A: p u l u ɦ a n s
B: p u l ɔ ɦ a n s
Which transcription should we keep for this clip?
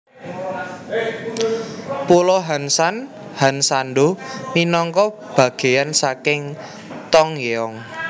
B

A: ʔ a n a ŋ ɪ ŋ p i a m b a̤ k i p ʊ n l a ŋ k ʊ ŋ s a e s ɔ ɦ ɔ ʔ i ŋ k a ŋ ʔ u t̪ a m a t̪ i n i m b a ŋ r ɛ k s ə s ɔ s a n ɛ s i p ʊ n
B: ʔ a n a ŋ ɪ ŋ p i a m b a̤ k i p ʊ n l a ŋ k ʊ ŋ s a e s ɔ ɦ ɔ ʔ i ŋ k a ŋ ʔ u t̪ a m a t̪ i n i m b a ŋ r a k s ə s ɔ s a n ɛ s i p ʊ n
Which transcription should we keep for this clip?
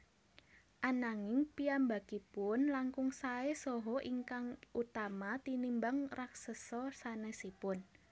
B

